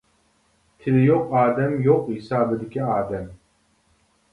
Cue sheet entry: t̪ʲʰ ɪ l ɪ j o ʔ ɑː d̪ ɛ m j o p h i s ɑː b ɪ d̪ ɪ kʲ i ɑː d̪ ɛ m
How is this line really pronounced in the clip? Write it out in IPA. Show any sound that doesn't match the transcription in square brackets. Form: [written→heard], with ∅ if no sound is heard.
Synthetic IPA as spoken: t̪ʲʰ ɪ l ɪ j o [ʔ→q] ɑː d̪ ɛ m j o [p→q] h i s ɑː b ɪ d̪ ɪ kʲ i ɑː d̪ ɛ m